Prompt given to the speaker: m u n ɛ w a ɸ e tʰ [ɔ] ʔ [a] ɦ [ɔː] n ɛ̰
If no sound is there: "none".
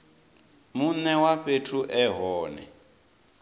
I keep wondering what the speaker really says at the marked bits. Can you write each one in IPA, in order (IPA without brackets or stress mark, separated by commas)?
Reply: u, ɛ, ɔː